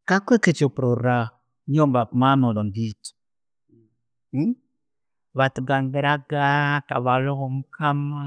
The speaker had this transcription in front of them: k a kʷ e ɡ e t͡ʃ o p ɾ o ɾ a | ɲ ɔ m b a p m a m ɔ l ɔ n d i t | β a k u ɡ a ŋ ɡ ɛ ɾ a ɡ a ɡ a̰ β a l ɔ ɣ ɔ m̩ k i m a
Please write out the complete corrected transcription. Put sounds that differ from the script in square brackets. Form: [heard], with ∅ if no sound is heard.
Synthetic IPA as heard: k a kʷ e [k] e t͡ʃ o p ɾ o ɾ a | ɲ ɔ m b a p m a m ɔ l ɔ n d i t | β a [t] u ɡ a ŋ ɡ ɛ ɾ a ɡ a [k] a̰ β a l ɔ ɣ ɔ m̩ k [a] m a